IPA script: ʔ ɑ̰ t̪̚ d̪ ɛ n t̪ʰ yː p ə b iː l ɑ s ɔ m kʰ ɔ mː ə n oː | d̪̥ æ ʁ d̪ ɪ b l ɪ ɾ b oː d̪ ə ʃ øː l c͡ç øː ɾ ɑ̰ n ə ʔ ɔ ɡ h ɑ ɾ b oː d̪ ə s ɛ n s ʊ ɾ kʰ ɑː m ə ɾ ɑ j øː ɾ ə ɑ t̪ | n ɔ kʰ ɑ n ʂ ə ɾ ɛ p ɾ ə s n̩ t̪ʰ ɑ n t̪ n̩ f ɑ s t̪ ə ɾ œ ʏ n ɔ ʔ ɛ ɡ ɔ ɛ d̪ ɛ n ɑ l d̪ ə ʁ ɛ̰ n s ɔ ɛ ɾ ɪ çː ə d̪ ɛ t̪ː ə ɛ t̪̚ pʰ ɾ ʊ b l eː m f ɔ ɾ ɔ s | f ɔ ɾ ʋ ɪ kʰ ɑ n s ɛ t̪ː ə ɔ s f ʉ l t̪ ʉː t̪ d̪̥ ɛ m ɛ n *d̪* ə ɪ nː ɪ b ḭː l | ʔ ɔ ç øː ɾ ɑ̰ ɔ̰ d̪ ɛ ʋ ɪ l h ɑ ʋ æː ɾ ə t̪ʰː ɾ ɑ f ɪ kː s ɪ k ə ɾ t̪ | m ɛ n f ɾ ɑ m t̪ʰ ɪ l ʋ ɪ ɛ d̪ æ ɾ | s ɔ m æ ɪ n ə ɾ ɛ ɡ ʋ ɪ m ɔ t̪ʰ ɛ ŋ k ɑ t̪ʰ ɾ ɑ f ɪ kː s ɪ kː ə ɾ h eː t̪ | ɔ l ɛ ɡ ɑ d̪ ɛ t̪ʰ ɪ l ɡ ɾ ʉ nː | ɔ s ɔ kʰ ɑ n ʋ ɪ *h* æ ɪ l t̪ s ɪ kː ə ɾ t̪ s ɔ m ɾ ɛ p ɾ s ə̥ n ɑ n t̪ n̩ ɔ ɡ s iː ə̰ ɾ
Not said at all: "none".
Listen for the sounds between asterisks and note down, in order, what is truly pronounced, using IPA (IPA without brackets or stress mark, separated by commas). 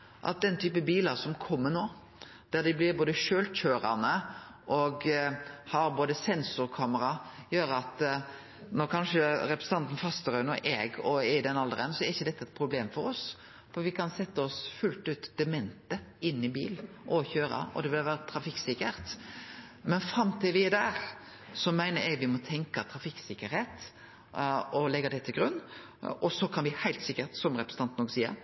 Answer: t̪, h